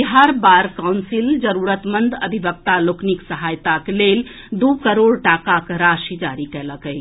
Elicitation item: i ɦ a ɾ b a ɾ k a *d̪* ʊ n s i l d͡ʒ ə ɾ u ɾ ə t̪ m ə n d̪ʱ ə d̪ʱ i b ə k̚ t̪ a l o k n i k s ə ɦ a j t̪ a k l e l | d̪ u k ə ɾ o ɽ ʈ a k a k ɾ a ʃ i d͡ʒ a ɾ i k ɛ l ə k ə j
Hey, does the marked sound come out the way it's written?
no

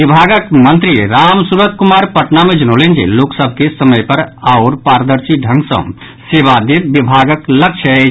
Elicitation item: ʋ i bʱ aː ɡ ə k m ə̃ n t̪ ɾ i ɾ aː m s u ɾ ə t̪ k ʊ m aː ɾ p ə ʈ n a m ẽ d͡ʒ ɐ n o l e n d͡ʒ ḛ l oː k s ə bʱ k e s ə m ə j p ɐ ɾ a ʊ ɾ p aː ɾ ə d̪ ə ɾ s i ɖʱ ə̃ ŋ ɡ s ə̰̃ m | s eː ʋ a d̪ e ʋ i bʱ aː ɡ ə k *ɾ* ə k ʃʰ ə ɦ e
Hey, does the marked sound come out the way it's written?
no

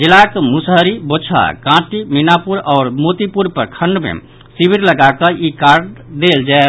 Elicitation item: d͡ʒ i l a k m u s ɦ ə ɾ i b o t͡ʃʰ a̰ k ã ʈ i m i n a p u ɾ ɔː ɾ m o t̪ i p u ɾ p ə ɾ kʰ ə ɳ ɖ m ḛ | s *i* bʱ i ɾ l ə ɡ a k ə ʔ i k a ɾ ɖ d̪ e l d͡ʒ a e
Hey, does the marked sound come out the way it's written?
yes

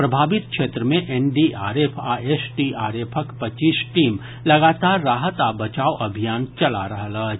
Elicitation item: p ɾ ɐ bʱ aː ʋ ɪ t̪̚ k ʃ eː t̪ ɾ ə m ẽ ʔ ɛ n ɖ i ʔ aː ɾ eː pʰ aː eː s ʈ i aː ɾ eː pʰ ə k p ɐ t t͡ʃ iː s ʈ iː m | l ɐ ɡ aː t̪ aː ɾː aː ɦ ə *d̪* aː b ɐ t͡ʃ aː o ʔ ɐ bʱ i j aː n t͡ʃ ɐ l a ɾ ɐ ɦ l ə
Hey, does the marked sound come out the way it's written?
no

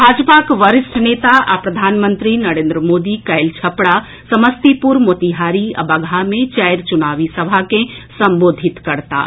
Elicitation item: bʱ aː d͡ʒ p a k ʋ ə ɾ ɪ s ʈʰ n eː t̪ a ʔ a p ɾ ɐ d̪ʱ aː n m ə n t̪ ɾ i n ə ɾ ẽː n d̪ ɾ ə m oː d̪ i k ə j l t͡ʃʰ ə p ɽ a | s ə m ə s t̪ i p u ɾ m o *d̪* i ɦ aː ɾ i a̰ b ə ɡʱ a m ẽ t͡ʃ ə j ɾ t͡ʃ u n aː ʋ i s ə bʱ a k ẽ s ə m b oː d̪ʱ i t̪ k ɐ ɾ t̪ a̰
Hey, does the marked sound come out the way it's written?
no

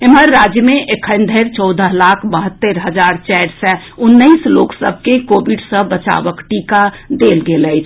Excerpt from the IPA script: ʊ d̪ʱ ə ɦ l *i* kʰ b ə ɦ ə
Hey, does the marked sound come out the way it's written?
no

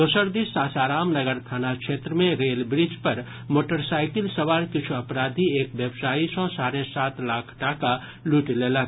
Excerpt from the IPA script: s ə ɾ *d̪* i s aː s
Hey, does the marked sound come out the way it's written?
yes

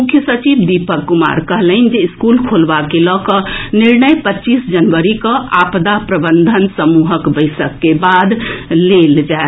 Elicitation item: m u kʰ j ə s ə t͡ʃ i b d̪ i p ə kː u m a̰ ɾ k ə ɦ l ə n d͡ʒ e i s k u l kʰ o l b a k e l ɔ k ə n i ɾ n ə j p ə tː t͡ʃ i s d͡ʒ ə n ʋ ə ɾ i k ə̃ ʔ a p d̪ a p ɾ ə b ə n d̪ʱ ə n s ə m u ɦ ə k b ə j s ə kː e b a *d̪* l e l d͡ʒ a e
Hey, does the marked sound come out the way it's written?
yes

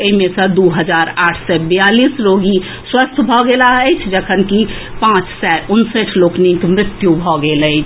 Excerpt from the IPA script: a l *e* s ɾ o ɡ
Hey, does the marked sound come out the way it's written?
no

